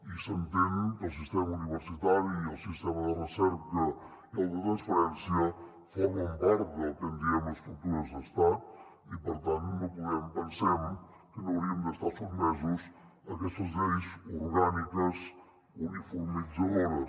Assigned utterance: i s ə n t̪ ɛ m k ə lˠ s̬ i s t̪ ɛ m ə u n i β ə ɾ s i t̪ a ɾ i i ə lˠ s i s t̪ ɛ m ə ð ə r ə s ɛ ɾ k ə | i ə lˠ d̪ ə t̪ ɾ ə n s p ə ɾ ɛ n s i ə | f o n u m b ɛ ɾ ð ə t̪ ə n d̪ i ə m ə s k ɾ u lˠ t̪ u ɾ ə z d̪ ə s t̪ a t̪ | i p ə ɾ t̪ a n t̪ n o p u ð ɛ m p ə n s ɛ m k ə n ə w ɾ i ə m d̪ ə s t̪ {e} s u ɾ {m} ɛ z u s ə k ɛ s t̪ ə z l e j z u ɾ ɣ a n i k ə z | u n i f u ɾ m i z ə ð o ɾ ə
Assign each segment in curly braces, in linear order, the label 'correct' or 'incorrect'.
incorrect: a, correct

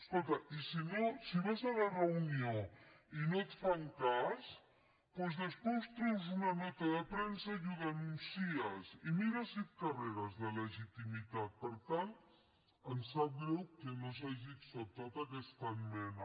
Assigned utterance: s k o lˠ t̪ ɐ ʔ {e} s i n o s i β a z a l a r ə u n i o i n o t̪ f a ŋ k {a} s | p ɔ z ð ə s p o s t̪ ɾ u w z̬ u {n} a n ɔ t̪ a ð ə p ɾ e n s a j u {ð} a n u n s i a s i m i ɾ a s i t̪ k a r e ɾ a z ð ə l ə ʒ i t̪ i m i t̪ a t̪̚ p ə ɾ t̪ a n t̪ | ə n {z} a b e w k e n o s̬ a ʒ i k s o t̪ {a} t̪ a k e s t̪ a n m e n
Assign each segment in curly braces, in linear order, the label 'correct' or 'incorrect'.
incorrect: i, correct, correct, correct, incorrect: s, correct

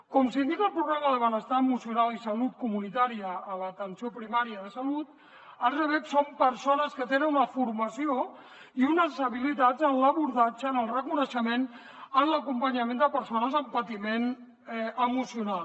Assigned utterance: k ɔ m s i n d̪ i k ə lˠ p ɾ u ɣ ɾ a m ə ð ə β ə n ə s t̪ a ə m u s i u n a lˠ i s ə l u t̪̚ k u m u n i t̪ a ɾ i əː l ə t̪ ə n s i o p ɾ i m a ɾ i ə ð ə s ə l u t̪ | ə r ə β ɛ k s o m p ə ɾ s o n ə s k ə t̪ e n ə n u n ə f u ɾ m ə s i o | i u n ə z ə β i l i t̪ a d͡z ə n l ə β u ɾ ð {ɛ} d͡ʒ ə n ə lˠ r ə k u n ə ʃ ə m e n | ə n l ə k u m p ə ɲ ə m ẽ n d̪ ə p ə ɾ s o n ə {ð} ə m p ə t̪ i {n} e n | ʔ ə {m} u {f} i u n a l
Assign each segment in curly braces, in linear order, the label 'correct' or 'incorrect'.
incorrect: a, incorrect: z, incorrect: m, correct, incorrect: s

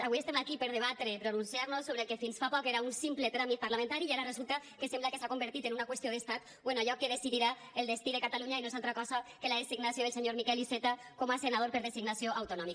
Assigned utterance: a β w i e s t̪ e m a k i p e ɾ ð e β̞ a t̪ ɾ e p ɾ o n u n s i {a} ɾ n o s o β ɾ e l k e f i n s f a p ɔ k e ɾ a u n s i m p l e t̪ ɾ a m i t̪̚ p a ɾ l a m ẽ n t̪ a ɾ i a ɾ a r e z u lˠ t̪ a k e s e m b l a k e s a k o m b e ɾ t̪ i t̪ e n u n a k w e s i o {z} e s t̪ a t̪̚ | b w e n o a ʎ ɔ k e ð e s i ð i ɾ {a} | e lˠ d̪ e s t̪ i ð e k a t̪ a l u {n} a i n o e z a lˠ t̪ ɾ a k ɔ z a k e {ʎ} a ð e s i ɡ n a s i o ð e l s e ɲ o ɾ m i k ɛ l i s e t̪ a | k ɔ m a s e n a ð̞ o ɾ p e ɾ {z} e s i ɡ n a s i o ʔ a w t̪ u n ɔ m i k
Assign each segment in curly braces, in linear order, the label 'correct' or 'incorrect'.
correct, incorrect: ð, correct, incorrect: ɲ, incorrect: l, incorrect: ð

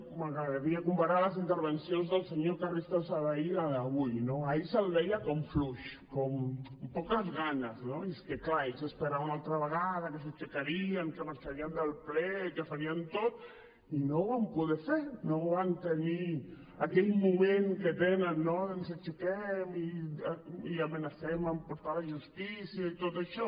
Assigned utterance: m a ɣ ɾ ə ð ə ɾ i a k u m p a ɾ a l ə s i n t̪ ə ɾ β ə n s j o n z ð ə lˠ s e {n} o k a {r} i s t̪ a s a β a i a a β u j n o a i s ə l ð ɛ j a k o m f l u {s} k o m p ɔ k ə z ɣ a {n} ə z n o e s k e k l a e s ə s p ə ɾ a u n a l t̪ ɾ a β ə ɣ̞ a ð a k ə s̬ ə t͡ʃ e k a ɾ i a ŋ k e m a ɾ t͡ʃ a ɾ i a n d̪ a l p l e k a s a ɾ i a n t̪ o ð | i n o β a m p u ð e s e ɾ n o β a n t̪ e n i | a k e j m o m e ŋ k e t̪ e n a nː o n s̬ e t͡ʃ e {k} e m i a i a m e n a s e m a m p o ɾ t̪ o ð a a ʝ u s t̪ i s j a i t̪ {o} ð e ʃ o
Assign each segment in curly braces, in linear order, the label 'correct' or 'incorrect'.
incorrect: ɲ, correct, incorrect: ʃ, correct, correct, correct

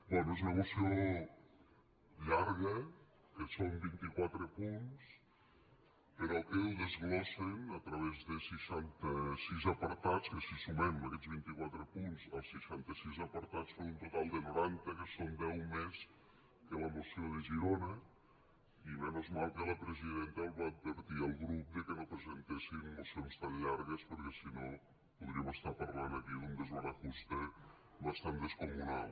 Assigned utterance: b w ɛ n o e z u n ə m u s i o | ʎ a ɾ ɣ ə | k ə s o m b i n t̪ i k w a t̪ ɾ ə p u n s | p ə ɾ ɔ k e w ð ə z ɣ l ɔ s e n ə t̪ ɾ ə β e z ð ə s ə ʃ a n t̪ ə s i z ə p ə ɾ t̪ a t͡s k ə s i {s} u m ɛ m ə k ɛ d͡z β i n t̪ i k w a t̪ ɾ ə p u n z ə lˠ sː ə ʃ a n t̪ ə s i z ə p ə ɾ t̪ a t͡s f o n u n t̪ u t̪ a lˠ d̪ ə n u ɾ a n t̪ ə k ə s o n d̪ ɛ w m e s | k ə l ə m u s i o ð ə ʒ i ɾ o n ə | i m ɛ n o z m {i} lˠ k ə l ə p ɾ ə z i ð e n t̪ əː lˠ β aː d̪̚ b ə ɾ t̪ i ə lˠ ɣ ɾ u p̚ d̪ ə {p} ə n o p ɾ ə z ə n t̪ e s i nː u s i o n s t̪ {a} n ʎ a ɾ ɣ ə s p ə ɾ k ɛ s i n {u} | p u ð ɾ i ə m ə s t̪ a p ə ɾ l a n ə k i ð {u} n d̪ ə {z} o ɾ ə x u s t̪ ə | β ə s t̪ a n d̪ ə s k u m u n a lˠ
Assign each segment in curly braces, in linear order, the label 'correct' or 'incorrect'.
correct, incorrect: a, incorrect: k, correct, incorrect: o, correct, correct

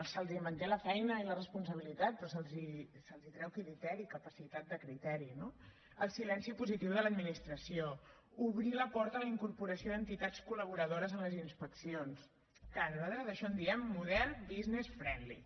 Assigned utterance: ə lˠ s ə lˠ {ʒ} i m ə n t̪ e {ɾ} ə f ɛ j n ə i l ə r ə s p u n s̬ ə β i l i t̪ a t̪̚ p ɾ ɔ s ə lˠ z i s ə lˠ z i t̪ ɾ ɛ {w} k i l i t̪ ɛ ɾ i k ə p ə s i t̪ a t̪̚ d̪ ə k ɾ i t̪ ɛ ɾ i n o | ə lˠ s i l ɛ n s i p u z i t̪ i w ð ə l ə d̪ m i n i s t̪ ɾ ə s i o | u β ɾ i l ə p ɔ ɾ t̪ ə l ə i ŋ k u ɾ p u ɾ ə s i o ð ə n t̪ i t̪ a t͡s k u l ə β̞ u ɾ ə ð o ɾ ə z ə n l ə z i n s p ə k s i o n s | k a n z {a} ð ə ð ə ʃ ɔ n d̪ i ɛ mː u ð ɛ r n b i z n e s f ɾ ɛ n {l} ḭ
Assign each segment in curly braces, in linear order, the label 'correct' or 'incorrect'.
incorrect: z, incorrect: l, correct, correct, correct

